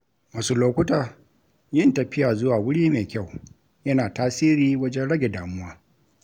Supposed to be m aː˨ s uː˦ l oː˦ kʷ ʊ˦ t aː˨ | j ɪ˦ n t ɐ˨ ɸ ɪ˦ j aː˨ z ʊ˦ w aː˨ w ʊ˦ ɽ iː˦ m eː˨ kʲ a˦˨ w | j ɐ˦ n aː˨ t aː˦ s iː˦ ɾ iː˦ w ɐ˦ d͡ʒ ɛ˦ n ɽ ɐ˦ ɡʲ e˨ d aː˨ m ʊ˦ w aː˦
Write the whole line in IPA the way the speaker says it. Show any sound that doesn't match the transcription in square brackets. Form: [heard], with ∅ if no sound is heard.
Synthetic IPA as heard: m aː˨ s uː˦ l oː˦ kʷ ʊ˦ t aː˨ | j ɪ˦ n t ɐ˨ ɸ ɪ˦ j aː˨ z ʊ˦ w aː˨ w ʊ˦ ɽ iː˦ m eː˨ kʲ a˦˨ w | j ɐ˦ n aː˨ t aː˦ s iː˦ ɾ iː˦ w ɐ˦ d͡ʒ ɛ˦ n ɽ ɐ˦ ɡʲ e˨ d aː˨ m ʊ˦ w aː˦